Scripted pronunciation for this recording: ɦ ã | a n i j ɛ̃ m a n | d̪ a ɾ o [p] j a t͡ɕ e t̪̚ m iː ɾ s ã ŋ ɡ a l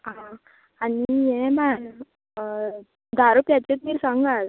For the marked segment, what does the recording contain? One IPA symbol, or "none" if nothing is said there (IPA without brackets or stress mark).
p